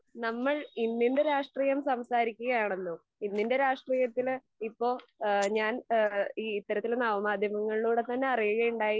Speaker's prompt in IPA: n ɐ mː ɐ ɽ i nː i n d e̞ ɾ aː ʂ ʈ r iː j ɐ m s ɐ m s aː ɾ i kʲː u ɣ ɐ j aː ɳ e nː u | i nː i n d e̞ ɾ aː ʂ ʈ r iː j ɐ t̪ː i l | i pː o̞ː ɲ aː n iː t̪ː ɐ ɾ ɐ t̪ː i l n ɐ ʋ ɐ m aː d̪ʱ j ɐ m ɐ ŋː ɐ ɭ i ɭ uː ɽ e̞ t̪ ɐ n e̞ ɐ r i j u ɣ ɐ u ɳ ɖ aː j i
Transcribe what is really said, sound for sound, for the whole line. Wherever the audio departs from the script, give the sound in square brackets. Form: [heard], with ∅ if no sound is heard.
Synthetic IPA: n ɐ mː ɐ [ɭ] i nː i n d e̞ ɾ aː ʂ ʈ r iː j ɐ m s ɐ m s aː ɾ i kʲː u ɣ ɐ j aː ɳ e nː u | i nː i n d e̞ ɾ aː ʂ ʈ r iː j ɐ t̪ː i l | i pː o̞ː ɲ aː n iː t̪ː ɐ ɾ ɐ t̪ː i l n ɐ ʋ ɐ m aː d̪ʱ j ɐ m ɐ ŋː ɐ ɭ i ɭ uː ɽ e̞ t̪ ɐ [nː] e̞ ɐ r i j u ɣ ɐ u ɳ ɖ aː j i